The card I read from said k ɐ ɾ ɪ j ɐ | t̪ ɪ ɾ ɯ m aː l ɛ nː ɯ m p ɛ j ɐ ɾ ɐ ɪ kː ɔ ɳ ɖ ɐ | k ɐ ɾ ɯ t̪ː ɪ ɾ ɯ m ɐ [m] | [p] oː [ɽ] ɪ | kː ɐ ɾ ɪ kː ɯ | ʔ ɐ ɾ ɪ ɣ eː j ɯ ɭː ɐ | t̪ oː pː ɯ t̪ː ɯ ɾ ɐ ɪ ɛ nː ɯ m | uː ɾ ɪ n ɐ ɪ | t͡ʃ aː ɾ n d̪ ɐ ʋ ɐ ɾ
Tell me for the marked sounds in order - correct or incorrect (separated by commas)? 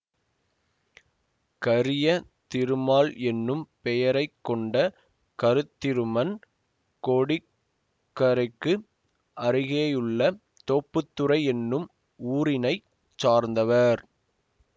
incorrect, incorrect, correct